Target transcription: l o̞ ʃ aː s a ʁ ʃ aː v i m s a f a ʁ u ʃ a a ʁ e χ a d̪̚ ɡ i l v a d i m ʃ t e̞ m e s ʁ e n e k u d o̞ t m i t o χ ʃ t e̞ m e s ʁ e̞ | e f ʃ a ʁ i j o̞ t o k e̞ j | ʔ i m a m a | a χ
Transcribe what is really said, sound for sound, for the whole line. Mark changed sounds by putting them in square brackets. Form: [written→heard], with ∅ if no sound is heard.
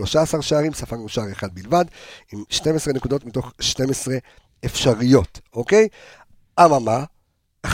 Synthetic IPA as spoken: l o̞ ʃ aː s a ʁ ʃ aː [v→ʁ] i m s a f a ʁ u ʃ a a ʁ e χ a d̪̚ [ɡ→b] i l v a d i m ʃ t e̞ m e s ʁ e n e k u d o̞ t m i t o χ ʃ t e̞ m e s ʁ e̞ | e f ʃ a ʁ i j o̞ t o k e̞ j | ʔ [i→a] m a m a | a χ